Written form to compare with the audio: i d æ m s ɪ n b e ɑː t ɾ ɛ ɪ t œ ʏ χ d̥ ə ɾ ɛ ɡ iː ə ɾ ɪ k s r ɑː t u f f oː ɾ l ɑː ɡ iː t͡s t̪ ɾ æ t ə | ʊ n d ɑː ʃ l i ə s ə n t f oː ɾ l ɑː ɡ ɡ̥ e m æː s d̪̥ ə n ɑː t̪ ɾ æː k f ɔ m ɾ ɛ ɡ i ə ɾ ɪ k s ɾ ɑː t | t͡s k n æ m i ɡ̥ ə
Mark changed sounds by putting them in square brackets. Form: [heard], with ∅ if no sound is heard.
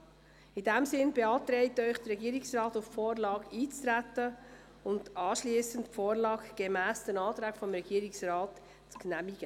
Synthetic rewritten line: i d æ m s ɪ n b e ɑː t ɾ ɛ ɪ t œ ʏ χ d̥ ə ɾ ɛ ɡ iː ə ɾ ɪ k s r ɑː t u f f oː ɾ l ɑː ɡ iː t͡s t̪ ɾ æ t ə | ʊ n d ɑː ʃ l i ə s ə n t f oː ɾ l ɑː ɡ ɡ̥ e m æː s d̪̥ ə n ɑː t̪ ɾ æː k f ɔ m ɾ ɛ ɡ i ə ɾ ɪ k s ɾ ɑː t | t͡s k n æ m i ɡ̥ ə